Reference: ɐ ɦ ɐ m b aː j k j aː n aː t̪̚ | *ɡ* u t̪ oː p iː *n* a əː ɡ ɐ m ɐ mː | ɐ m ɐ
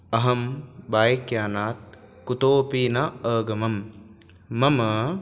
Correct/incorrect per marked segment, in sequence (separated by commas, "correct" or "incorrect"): incorrect, correct